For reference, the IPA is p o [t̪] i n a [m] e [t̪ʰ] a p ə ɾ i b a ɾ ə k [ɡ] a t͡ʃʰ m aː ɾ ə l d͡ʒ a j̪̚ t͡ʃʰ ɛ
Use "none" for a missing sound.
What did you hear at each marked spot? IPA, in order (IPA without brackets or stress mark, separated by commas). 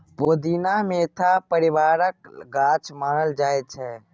d̪, m, t̪ʰ, ɡ